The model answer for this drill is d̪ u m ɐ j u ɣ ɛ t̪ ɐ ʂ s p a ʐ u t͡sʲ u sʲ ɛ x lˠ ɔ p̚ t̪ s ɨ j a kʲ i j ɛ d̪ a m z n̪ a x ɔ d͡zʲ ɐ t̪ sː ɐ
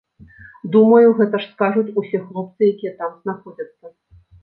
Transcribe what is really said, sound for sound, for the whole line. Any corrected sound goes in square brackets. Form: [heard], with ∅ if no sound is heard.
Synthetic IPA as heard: d̪ u m ɐ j u ɣ ɛ t̪ ɐ ʂ s [k] a ʐ u t͡sʲ u sʲ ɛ x lˠ ɔ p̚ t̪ s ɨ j a kʲ i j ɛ [t̪] a m z n̪ a x ɔ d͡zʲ ɐ t̪ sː ɐ